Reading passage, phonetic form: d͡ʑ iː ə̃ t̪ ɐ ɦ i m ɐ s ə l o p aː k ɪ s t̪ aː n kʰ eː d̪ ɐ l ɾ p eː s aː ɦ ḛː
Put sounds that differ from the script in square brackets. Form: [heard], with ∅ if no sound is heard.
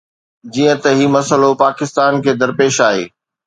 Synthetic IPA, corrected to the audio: d͡ʑ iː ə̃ t̪ ɐ ɦ i m ɐ s ə l o p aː k ɪ s t̪ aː n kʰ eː d̪ ɐ [∅] ɾ p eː [ʃ] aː ɦ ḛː